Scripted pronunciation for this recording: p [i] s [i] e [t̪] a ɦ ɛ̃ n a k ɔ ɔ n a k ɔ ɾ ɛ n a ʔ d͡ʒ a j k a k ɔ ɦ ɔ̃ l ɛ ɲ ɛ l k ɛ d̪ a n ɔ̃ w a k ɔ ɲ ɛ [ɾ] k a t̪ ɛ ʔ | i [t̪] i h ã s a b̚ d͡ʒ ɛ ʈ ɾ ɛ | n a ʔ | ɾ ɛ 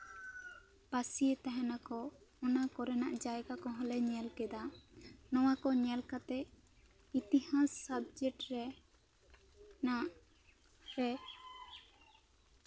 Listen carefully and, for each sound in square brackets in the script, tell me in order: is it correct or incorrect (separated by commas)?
incorrect, correct, correct, incorrect, correct